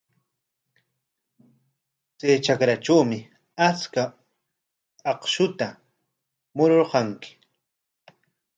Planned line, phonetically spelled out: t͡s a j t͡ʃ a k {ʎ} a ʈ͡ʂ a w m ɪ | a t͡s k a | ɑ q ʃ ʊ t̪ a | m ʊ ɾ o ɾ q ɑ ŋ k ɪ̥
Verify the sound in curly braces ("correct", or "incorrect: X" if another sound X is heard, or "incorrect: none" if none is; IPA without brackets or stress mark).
incorrect: ɾ